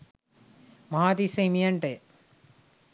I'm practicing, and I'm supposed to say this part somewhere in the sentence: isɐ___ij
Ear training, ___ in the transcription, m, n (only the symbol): m